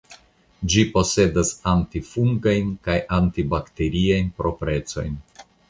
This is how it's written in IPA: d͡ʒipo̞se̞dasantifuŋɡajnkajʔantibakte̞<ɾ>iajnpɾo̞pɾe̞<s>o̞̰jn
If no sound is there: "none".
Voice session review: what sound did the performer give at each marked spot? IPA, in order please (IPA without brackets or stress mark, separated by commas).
ɾ, t͡s